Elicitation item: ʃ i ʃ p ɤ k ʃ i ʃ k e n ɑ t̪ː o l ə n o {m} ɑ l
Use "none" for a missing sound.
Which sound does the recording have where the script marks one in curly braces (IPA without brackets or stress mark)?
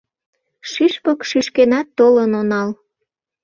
n